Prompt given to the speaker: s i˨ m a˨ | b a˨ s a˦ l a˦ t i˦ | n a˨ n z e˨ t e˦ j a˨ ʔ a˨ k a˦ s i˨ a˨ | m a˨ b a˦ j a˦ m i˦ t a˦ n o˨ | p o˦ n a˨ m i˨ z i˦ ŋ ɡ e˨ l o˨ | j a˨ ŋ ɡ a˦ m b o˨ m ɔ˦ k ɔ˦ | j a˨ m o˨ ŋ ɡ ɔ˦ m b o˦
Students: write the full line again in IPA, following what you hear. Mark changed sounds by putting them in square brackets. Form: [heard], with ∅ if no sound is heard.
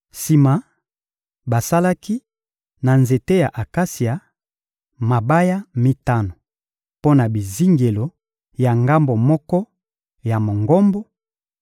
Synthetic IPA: s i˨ m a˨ | b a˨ s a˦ l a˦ [k] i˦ | n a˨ n z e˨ t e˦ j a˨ ʔ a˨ k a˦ s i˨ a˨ | m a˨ b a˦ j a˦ m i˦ t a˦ n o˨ | p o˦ n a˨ [b] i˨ z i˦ ŋ ɡ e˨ l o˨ | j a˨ ŋ ɡ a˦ m b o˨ m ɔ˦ k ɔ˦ | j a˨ m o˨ ŋ ɡ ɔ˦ m b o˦